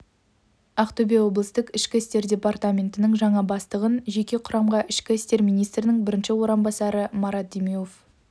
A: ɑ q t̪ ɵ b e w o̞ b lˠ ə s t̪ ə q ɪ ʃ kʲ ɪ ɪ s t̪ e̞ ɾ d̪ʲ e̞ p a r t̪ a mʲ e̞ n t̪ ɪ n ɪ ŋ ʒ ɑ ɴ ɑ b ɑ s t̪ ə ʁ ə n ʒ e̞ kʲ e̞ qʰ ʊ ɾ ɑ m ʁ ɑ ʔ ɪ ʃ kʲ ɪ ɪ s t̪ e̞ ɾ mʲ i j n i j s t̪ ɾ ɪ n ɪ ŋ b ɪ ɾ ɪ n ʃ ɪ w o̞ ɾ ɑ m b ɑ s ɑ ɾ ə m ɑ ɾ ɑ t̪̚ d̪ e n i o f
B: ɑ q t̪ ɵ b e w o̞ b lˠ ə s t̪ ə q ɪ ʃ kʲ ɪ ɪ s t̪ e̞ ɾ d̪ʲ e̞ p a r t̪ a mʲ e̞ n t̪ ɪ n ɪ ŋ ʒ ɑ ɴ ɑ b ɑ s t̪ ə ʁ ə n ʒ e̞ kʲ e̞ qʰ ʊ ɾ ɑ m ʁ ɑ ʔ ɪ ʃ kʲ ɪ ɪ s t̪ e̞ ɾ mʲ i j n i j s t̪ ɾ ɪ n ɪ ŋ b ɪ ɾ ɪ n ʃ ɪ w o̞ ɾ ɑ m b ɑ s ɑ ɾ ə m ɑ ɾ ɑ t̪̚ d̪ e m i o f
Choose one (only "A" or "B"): B